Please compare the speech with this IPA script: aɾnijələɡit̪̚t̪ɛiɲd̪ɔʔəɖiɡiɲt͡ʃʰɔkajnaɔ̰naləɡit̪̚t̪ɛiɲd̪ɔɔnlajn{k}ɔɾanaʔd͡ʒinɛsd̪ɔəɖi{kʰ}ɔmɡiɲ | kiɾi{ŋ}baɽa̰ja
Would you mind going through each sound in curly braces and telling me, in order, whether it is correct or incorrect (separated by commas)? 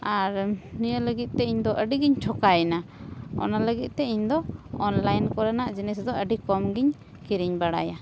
correct, incorrect, incorrect